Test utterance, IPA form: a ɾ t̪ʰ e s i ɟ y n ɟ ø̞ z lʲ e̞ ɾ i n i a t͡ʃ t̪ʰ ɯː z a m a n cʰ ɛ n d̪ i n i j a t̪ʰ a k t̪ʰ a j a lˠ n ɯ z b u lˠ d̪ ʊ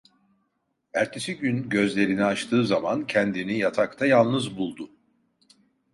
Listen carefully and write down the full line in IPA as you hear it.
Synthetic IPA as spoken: æ ɾ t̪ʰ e s i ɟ y n ɟ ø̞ z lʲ e̞ ɾ i n i a t͡ʃ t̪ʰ ɯː z a m a n cʰ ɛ n d̪ i n i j a t̪ʰ a k t̪ʰ a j a lˠ n ɯ z b u lˠ d̪ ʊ